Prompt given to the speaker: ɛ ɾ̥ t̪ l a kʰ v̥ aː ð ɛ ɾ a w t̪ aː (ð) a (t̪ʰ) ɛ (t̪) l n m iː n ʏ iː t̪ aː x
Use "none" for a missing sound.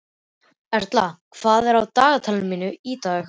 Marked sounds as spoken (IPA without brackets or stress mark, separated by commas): ɣ, t̪ʰ, none